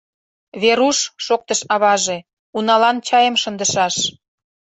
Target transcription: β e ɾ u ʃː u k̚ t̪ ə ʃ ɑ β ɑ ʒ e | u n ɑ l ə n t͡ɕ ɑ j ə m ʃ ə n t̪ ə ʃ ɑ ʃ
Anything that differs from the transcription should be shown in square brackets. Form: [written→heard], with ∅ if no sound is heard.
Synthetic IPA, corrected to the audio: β e ɾ u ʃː [u→o] k̚ t̪ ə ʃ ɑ β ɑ ʒ e | u n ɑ l [ə→ɑ] n t͡ɕ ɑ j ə m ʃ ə n [t̪→d̪] ə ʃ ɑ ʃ